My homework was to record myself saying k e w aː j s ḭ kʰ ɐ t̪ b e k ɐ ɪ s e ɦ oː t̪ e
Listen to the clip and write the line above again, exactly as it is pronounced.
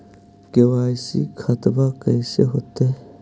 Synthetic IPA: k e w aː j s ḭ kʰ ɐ t̪ b a k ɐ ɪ s e ɦ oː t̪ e